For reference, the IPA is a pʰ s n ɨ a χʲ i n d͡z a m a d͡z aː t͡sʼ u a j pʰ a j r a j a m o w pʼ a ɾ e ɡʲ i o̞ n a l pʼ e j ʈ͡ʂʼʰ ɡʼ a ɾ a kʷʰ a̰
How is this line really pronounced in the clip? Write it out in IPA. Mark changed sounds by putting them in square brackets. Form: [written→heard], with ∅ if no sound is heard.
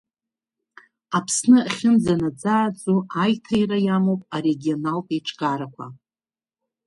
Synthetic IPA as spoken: a pʰ s n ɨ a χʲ [i→ɪ] n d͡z a [m→n] a d͡z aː t͡sʼ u a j [pʰ→tʰ] a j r a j a m o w pʼ a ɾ e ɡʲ i o̞ n a l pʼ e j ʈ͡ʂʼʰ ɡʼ a ɾ a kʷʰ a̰